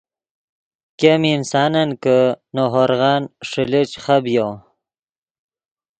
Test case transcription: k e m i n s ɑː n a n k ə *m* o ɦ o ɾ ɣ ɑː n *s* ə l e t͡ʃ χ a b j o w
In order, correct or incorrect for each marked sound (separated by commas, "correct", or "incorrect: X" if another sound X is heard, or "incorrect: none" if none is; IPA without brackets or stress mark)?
incorrect: n, incorrect: ʂ